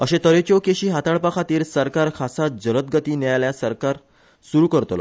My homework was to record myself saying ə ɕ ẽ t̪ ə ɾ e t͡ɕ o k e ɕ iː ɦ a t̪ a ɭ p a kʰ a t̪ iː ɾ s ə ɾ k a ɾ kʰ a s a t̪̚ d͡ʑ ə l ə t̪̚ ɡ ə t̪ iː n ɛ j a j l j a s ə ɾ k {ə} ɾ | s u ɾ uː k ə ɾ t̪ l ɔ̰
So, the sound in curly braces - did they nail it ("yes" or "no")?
no